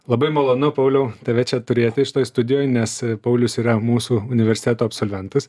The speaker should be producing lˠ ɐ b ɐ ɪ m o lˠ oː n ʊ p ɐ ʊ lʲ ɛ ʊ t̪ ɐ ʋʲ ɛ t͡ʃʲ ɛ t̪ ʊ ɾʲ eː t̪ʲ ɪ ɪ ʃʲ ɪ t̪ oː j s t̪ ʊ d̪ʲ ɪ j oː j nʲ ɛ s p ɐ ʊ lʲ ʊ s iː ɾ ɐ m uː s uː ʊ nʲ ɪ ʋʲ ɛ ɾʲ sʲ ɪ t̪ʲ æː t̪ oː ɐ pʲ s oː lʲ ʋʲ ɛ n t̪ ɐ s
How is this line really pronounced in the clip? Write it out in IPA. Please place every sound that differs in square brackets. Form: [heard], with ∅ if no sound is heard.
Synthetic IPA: lˠ ɐ b ɐ ɪ m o lˠ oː n ʊ p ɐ ʊ lʲ ɛ ʊ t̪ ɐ ʋʲ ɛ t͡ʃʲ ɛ t̪ ʊ ɾʲ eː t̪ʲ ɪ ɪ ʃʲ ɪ t̪ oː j s t̪ ʊ d̪ʲ ɪ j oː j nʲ ɛ s p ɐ ʊ lʲ ʊ s iː ɾ ɐ m uː s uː ʊ nʲ ɪ ʋʲ ɛ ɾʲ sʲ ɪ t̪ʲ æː t̪ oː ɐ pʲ s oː lʲ ʋʲ ɛ n t̪ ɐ s